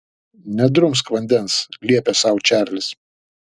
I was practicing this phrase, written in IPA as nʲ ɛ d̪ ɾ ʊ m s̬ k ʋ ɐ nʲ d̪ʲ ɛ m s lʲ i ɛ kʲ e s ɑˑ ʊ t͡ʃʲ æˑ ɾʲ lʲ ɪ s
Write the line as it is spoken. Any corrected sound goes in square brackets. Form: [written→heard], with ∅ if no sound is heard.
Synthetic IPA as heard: nʲ ɛ d̪ ɾ ʊ m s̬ k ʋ ɐ nʲ d̪ʲ ɛ [m→n] s lʲ i ɛ [kʲ→pʲ] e s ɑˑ ʊ t͡ʃʲ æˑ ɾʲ lʲ ɪ s